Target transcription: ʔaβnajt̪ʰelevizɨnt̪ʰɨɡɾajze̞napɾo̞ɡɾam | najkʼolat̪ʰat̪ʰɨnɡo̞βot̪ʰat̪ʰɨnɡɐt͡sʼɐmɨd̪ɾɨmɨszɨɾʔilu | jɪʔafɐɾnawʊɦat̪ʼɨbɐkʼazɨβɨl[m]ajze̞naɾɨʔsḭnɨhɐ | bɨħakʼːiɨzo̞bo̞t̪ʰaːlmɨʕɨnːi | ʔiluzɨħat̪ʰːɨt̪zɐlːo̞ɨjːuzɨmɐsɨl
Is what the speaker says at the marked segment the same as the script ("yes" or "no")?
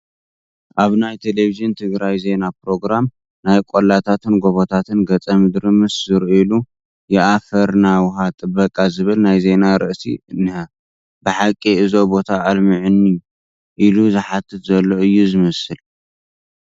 no